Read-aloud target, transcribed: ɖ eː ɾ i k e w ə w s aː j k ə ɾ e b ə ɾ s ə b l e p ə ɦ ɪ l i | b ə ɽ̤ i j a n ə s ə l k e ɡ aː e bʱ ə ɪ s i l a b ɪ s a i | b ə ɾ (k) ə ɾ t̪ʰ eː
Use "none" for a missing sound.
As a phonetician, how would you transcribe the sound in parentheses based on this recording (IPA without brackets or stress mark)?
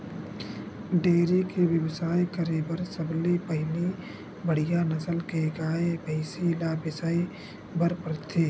p